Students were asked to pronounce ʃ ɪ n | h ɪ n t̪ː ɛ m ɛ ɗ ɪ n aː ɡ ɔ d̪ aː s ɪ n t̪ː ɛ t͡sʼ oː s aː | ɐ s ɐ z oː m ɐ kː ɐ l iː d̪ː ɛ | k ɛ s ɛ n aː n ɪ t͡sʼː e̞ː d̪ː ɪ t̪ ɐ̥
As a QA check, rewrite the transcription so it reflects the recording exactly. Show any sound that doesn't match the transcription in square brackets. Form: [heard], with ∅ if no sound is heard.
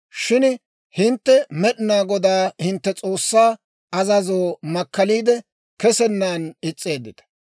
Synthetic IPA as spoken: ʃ ɪ n | h ɪ n t̪ː ɛ m ɛ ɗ ɪ n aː ɡ ɔ d̪ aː [h] ɪ n t̪ː ɛ t͡sʼ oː [sː] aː | ɐ [z] ɐ z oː m ɐ kː ɐ l iː [d̪] ɛ | k ɛ s ɛ [nː] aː n ɪ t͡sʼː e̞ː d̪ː ɪ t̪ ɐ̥